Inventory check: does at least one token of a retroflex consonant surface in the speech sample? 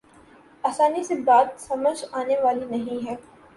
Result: no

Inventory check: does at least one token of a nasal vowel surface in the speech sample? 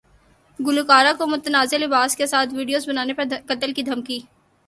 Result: no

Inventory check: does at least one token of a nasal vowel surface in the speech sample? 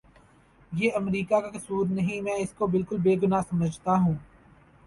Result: yes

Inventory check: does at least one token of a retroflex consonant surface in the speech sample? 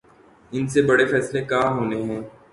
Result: yes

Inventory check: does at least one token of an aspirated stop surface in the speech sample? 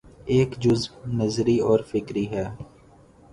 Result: no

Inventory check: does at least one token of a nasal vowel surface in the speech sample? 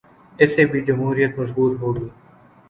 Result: no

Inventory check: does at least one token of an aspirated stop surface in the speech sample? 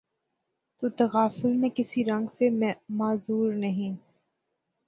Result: no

